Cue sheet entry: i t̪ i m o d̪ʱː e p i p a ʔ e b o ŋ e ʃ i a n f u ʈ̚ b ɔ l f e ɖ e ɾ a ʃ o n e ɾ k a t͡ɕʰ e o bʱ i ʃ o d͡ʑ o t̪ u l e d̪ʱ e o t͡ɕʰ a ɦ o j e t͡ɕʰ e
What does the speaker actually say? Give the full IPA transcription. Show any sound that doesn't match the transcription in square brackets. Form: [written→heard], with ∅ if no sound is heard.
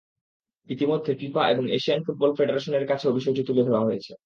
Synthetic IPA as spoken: i t̪ i m o d̪ʱː e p i p a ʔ e b o ŋ e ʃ i a n f u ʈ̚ b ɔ l f e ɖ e ɾ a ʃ o n e ɾ k a t͡ɕʰ e o bʱ i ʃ o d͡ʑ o t̪ u l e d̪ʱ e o [t͡ɕʰ→∅] a ɦ o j e t͡ɕʰ e